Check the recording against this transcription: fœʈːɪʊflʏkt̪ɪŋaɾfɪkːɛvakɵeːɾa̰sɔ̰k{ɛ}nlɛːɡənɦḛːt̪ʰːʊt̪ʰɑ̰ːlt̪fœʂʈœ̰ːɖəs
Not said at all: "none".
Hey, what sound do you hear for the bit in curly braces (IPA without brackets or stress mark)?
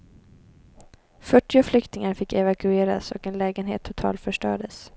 ɛ